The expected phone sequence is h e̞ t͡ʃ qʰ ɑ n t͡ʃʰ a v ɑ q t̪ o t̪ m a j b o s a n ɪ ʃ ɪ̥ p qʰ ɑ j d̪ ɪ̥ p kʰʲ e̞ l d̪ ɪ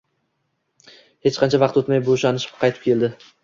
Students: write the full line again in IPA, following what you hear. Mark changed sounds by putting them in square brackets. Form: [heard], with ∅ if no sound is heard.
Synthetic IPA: h e̞ t͡ʃ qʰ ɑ n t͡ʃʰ a v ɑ q t̪ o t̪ m a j b o [ʃ] a n ɪ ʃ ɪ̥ p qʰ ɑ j [t̪] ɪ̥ p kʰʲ e̞ l d̪ ɪ